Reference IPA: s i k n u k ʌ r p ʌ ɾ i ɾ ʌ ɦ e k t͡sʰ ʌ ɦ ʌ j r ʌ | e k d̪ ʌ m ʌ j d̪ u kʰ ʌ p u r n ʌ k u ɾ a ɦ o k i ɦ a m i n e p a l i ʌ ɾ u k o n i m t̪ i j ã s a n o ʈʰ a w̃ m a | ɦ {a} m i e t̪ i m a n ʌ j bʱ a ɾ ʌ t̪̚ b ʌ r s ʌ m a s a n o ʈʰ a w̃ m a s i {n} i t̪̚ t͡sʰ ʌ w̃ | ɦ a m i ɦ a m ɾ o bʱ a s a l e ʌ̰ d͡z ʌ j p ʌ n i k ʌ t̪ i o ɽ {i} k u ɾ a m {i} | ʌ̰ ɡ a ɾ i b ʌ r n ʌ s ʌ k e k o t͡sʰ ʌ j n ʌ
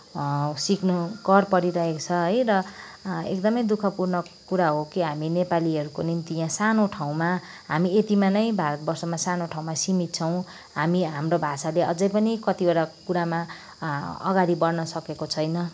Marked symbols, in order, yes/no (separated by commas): yes, no, no, no